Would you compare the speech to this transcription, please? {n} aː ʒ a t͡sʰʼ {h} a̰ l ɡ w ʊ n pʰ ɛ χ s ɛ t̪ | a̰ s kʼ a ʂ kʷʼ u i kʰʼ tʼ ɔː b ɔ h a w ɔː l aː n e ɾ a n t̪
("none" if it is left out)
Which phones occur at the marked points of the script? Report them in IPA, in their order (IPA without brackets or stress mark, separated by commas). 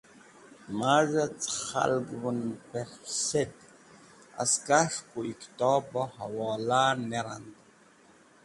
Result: m, χ